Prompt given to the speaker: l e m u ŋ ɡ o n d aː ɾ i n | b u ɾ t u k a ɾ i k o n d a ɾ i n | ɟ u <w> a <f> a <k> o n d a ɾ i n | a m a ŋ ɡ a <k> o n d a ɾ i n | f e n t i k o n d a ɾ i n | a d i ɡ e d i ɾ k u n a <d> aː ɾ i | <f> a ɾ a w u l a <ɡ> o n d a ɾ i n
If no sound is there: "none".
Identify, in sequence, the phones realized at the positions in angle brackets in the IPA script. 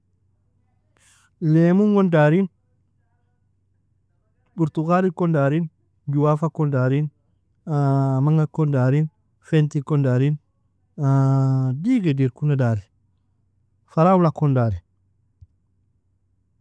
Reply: w, f, k, k, d, f, k

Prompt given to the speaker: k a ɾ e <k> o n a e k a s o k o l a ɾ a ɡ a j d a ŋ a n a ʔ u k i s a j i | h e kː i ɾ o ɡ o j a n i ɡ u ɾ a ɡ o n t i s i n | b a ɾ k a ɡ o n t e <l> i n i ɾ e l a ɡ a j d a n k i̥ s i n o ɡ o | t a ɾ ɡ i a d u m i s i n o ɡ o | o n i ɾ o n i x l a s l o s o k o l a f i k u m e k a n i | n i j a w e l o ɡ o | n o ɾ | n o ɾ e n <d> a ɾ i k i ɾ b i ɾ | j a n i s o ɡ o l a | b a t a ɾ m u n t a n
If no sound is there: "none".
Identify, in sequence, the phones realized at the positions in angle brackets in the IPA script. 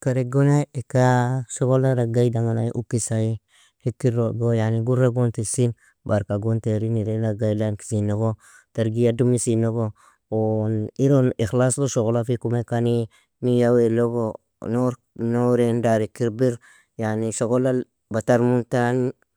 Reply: ɡ, ɾ, d

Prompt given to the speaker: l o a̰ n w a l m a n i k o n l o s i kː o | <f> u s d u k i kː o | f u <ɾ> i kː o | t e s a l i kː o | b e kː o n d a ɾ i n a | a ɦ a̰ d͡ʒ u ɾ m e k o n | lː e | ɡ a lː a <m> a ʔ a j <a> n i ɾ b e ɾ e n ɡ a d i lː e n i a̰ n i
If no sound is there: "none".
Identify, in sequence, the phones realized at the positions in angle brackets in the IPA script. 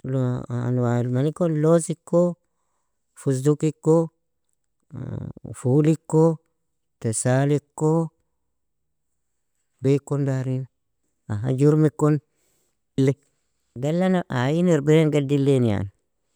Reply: f, l, n, i

